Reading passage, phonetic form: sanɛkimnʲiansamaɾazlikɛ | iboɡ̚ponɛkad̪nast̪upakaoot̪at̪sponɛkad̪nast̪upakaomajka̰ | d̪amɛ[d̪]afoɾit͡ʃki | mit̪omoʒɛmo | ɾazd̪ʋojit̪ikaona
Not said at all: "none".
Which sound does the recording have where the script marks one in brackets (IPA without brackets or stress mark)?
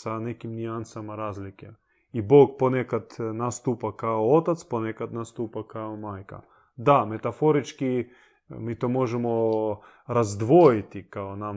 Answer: t̪